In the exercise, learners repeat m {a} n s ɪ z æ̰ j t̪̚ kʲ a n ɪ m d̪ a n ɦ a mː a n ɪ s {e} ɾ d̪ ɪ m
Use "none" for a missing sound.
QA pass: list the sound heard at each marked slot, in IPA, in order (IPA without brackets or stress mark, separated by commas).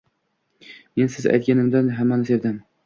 e, e